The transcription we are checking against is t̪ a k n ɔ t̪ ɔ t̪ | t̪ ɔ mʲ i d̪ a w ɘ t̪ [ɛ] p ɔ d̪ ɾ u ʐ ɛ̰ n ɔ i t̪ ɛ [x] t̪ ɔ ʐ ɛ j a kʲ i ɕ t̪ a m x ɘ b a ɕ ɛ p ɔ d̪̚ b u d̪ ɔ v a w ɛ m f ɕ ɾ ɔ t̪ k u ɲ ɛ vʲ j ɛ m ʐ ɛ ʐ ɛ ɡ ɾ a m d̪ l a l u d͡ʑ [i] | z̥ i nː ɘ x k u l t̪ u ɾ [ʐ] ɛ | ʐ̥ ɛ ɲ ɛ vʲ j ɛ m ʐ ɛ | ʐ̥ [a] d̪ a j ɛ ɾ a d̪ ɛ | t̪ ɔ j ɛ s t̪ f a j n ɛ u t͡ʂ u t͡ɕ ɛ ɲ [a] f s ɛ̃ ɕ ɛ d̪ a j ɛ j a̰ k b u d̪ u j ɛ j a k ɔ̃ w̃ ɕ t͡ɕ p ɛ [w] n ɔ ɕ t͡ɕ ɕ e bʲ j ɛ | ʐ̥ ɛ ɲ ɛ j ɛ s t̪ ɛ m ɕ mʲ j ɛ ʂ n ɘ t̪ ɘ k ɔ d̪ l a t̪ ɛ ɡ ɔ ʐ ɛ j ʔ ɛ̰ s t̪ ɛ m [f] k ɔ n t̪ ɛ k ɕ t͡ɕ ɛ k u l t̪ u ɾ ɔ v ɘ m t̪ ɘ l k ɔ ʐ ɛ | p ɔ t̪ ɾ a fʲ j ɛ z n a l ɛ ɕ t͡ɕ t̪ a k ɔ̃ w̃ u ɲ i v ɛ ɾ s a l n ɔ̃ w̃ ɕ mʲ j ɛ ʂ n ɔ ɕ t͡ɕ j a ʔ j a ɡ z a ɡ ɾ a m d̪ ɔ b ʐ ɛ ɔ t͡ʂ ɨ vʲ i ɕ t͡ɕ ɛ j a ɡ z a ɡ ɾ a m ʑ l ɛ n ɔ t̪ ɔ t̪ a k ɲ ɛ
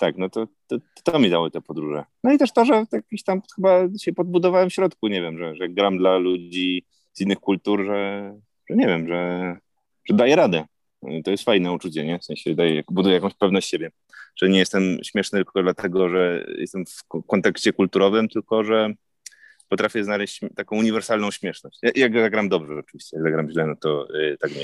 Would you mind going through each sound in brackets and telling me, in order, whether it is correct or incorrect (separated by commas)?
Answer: correct, incorrect, correct, correct, incorrect, incorrect, incorrect, correct